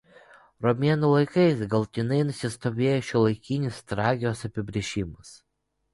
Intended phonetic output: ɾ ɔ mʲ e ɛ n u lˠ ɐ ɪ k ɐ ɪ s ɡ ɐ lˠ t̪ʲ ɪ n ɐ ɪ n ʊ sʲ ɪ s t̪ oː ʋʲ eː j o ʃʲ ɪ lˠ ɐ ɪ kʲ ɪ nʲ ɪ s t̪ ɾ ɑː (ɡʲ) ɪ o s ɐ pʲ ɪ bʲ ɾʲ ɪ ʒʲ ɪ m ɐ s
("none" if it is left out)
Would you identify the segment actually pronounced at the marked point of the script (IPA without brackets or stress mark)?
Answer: ɡʲ